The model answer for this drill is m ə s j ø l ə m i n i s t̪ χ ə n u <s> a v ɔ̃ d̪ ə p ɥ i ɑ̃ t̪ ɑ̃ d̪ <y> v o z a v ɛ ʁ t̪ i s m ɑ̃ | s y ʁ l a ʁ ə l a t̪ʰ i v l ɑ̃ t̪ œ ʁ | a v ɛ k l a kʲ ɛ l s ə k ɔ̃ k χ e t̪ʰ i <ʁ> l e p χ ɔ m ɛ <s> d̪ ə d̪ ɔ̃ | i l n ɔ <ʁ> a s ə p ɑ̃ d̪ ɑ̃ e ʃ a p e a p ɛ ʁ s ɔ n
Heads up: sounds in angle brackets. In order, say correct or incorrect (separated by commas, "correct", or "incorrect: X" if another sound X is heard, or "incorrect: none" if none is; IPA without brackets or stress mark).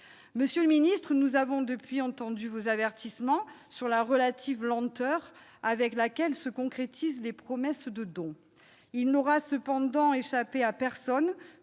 incorrect: z, correct, incorrect: z, correct, correct